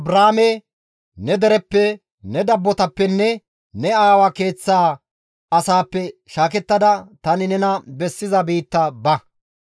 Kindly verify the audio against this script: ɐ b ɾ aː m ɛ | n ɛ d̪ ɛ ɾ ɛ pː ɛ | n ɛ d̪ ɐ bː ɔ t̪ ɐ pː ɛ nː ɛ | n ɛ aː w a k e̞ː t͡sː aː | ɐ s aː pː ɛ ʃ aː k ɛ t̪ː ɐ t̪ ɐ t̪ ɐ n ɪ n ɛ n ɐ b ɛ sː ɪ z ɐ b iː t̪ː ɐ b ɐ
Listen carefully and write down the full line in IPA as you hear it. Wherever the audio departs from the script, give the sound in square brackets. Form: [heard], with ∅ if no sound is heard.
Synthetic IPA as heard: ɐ b ɾ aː m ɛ | n ɛ d̪ ɛ ɾ ɛ pː ɛ | n ɛ d̪ ɐ bː ɔ t̪ ɐ pː ɛ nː ɛ | n ɛ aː w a k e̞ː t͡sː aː | ɐ s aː pː ɛ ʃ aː k ɛ t̪ː ɐ [d̪] ɐ t̪ ɐ n ɪ n ɛ n ɐ b ɛ sː ɪ z ɐ b iː t̪ː ɐ b ɐ